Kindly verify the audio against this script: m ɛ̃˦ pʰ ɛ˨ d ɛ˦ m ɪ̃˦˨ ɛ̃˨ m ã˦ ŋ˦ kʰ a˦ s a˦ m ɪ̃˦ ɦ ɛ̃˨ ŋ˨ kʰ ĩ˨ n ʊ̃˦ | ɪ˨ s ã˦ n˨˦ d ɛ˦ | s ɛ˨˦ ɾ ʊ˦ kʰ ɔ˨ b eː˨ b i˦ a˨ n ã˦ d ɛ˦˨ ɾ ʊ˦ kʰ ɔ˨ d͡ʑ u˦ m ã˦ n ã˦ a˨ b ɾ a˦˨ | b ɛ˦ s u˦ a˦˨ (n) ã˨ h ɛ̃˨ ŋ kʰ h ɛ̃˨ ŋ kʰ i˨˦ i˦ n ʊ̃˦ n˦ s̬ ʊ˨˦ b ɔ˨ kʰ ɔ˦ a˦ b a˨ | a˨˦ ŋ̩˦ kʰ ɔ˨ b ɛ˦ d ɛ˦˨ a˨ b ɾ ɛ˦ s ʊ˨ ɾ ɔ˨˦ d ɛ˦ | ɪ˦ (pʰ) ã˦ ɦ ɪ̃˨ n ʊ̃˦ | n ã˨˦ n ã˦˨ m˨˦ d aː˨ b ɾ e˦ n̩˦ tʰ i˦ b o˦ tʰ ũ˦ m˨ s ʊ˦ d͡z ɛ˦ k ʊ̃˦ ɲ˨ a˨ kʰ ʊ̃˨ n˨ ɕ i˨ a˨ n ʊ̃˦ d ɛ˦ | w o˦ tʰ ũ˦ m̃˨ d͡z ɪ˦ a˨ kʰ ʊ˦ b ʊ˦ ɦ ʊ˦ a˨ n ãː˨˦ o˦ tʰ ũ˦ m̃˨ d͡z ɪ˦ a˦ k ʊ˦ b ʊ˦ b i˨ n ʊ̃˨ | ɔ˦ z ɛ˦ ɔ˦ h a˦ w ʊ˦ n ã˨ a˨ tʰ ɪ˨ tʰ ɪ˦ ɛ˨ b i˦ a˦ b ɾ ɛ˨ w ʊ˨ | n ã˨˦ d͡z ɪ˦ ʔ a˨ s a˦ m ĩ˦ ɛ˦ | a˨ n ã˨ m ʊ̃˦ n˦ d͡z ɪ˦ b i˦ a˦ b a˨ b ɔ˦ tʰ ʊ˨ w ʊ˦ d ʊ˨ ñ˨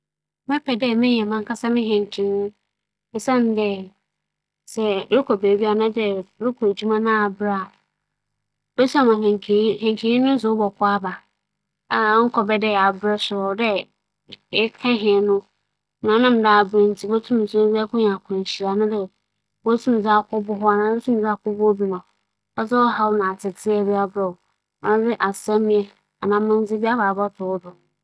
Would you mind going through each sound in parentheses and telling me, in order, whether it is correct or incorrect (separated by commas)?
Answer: incorrect, incorrect